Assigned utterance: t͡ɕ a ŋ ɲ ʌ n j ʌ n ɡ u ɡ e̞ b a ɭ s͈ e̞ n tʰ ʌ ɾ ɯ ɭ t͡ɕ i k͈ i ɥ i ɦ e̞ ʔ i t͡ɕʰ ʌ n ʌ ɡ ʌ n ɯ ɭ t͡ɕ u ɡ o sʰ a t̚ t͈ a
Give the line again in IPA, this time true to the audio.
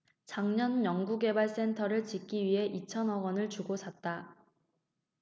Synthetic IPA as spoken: t͡ɕ a ŋ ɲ ʌ n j ʌ ŋ ɡ u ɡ e̞ b a ɭ s͈ e̞ n tʰ ʌ ɾ ɯ ɭ t͡ɕ i k͈ i ɥ i ɦ e̞ ʔ i t͡ɕʰ ʌ n ʌ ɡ ʌ n ɯ ɭ t͡ɕ u ɡ o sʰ a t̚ t͈ a